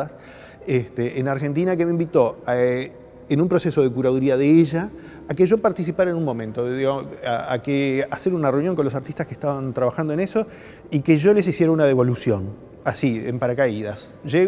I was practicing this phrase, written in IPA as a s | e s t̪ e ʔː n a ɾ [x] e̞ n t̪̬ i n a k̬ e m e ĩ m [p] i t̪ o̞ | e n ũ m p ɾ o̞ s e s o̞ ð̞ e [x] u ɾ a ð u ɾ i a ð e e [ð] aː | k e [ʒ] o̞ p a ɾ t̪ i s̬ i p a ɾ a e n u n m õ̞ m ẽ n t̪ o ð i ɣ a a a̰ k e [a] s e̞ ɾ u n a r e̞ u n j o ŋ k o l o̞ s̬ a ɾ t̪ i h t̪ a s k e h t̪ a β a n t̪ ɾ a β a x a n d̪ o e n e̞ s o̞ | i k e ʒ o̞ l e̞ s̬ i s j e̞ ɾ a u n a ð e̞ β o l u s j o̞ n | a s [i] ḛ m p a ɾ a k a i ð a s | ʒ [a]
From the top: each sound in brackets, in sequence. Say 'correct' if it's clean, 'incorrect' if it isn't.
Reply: correct, incorrect: b, incorrect: k, incorrect: ʒ, correct, correct, correct, incorrect: e

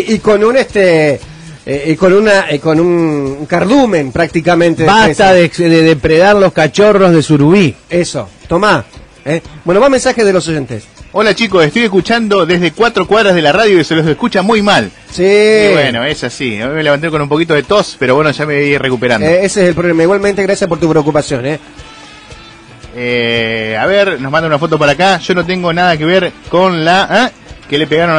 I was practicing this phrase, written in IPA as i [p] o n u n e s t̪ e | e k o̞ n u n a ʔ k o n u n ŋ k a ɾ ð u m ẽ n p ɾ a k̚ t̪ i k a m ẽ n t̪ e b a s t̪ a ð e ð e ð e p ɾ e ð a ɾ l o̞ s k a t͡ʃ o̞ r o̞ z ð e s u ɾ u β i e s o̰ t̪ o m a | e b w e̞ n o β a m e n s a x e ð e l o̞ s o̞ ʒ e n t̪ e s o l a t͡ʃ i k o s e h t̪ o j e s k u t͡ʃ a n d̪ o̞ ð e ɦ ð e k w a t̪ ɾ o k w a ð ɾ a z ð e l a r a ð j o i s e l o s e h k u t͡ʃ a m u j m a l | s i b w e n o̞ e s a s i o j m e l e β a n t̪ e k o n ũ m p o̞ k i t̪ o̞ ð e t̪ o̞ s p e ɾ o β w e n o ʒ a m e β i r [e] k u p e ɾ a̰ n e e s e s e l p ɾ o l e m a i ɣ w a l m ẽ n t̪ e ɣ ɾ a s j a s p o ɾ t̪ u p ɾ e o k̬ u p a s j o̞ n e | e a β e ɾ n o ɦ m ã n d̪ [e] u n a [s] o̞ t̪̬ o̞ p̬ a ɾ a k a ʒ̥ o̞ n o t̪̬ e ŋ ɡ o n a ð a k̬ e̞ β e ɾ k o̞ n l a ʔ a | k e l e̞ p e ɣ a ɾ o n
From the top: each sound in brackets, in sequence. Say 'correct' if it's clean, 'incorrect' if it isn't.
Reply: incorrect: k, correct, incorrect: a, incorrect: f

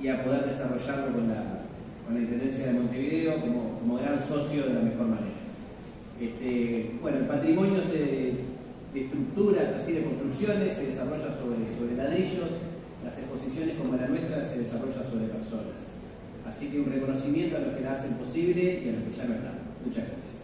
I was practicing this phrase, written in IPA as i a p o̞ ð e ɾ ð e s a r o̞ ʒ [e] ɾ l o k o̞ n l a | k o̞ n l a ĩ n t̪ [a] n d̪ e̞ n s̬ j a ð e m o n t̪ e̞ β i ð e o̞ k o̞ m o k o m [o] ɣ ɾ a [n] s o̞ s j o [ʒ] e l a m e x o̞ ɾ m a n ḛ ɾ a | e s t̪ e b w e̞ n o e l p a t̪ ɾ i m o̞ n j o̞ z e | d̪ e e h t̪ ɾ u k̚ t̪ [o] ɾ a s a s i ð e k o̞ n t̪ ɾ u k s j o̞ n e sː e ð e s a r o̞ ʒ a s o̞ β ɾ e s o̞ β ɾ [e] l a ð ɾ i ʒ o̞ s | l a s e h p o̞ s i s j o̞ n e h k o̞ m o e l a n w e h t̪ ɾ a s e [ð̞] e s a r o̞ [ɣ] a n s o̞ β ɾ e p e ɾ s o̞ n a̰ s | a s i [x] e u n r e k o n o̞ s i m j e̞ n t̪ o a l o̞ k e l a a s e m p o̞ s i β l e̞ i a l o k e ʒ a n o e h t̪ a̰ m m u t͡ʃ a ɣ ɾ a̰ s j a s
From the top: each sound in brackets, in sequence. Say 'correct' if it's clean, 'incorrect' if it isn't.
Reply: incorrect: a, incorrect: e, correct, correct, incorrect: ð, incorrect: u, correct, correct, incorrect: ʒ, incorrect: k

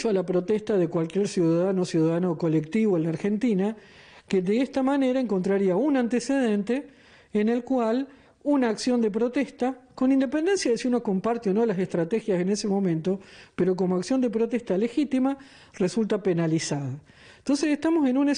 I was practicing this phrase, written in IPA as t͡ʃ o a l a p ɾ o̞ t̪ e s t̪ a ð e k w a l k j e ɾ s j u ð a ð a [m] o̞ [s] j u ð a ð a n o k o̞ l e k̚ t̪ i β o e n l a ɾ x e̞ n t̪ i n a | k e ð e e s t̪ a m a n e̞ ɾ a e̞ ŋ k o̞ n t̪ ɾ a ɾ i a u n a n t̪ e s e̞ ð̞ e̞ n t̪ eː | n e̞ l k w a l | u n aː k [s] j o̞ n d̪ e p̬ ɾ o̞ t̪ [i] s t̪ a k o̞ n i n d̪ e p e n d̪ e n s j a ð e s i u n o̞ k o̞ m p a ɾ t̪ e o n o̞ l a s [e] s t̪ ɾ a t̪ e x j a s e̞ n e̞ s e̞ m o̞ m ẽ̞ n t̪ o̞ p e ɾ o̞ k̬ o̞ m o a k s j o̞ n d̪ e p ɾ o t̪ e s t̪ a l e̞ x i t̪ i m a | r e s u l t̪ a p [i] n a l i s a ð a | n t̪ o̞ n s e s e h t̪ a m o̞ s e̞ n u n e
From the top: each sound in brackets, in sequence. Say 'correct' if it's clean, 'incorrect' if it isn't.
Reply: incorrect: n, correct, correct, incorrect: e, correct, incorrect: e

